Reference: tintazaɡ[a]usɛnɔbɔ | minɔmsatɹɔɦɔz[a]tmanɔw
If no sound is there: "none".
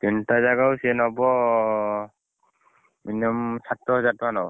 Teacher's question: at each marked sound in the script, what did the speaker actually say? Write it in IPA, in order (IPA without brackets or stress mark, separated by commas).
a, a